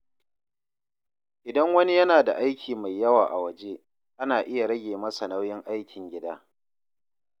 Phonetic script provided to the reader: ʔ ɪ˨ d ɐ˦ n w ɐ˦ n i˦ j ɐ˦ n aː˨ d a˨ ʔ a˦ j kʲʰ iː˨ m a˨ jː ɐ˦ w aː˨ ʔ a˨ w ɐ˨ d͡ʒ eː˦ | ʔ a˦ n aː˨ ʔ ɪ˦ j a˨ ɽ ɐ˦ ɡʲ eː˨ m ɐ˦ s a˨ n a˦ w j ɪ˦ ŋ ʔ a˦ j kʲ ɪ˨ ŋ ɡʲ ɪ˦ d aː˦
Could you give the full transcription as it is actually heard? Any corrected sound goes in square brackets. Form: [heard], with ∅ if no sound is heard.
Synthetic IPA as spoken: ʔ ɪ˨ d ɐ˦ [ŋ] w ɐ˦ n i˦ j ɐ˦ n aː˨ d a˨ ʔ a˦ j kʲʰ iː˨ m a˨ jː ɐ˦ w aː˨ ʔ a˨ w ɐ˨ d͡ʒ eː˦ | ʔ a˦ n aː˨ ʔ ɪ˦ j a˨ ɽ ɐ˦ ɡʲ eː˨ m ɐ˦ s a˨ n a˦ w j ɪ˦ ŋ ʔ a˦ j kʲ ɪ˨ ŋ ɡʲ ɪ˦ d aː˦